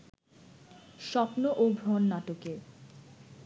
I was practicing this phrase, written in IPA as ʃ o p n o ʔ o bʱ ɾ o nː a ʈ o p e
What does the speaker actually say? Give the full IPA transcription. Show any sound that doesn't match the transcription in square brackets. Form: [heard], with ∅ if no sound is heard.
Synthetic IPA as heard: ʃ [ɔ] p n o ʔ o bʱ ɾ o nː a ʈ o [k] e